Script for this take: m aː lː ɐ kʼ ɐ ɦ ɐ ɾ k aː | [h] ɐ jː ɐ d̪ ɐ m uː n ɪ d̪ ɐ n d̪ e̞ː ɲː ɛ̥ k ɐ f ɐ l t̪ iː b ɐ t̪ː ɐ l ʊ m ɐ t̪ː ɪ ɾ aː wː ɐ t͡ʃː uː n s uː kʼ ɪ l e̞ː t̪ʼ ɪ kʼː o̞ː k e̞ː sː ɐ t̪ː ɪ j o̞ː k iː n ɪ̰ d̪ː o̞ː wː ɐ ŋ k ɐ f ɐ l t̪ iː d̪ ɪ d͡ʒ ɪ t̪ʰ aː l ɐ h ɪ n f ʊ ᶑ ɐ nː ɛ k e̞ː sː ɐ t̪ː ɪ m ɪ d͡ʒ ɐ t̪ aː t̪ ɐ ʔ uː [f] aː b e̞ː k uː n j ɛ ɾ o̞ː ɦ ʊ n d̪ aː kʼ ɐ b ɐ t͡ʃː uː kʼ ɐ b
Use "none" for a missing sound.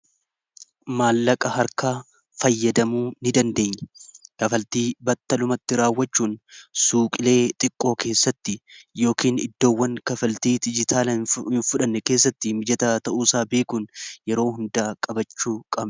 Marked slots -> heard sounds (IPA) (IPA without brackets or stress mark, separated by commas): f, s